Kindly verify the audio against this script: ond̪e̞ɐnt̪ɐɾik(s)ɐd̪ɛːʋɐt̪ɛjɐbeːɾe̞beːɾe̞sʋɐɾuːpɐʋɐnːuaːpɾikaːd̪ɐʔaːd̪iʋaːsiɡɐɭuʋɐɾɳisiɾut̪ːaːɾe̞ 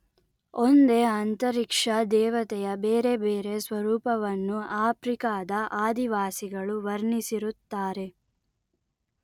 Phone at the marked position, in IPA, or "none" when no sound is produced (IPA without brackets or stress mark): ʂ